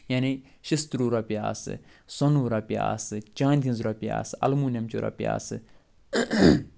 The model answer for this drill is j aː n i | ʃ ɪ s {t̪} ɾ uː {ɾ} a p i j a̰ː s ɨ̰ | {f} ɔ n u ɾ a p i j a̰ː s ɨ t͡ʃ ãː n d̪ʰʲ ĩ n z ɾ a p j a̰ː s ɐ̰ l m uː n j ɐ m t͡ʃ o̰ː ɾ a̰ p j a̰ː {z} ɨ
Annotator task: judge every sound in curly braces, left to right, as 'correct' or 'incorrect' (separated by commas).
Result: correct, correct, incorrect, incorrect